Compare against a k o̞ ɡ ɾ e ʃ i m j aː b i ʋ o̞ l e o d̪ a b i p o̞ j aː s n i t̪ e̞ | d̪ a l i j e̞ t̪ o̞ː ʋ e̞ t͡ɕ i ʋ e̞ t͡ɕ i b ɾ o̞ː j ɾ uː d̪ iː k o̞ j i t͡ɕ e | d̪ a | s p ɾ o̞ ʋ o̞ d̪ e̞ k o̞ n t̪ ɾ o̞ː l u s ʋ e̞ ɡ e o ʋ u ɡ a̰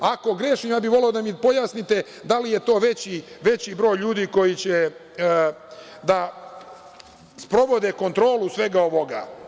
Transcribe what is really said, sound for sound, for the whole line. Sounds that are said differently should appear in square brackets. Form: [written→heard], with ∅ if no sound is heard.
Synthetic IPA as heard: a k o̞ ɡ ɾ e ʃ i m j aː b i ʋ o̞ l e o d̪ a [b→m] i p o̞ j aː s n i t̪ e̞ | d̪ a l i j e̞ t̪ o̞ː ʋ e̞ t͡ɕ i ʋ e̞ t͡ɕ i b ɾ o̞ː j [ɾ→ʎ] uː d̪ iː k o̞ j i t͡ɕ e | d̪ a | s p ɾ o̞ ʋ o̞ d̪ e̞ k o̞ n t̪ ɾ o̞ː l u s ʋ e̞ ɡ [e→a] o ʋ [u→o] ɡ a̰